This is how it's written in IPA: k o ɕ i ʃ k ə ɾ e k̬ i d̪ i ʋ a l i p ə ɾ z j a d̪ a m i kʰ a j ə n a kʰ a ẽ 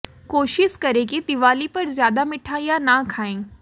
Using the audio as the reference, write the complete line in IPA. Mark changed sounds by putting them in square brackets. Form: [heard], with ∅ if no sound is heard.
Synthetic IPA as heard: k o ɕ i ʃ k ə ɾ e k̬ i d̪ i ʋ a l i p ə ɾ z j a d̪ a m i [ʈʰ] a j [a] n a kʰ a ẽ